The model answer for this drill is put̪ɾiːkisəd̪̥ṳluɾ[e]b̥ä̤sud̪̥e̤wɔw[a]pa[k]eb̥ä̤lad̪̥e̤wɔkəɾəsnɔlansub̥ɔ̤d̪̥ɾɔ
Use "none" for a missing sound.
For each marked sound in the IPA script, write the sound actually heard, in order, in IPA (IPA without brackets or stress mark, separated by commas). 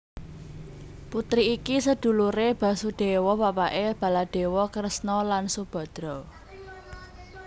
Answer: e, a, ʔ